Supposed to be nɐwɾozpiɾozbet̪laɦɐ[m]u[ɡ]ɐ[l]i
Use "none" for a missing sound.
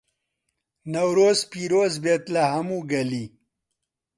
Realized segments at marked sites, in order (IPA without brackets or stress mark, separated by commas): m, ɡ, l